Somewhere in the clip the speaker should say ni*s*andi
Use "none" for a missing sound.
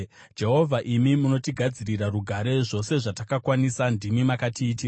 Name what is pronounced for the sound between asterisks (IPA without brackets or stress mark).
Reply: s